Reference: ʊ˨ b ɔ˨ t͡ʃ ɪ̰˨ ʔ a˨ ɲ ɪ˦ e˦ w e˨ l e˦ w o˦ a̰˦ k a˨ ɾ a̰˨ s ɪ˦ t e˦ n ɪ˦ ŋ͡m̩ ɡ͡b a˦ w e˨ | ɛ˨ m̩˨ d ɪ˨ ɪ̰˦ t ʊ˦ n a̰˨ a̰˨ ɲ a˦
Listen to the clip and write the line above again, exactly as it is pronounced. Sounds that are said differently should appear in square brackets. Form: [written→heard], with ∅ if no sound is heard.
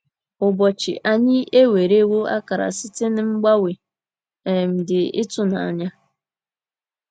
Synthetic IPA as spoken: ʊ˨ b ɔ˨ t͡ʃ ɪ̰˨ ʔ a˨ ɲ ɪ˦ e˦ w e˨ [l→ɾ] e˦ w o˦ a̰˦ k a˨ ɾ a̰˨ s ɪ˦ t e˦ n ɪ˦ ŋ͡m̩ ɡ͡b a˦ w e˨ | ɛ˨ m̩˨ d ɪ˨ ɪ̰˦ t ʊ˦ n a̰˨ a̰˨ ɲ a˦